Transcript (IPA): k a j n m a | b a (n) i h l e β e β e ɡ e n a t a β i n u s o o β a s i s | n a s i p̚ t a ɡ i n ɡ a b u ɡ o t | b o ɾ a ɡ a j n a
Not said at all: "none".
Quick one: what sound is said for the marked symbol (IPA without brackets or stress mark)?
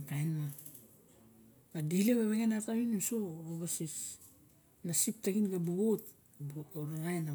d